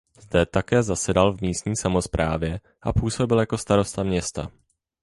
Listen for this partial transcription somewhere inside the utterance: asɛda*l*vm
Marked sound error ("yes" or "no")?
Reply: no